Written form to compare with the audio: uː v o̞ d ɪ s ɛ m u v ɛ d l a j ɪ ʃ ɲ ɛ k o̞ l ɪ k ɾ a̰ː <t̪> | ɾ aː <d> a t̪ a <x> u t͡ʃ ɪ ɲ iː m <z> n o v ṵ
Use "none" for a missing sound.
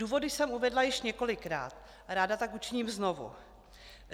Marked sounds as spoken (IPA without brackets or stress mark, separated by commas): t̪, d, k, z